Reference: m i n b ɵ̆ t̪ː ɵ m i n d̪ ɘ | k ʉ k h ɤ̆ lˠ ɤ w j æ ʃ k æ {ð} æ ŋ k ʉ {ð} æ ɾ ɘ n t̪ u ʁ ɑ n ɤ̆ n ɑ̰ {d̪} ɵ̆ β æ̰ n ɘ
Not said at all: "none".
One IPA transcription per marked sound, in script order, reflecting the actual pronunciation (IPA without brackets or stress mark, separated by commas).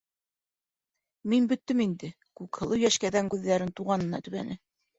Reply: ð, ðː, t̪